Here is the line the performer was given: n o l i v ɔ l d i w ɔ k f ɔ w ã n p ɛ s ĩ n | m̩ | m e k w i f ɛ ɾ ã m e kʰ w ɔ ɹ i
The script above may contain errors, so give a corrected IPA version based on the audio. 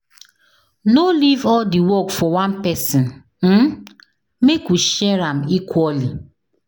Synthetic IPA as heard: n o l i v ɔ l d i w ɔ k f ɔ w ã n p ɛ s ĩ n | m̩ | m e k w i ʃ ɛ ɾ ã m i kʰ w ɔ l i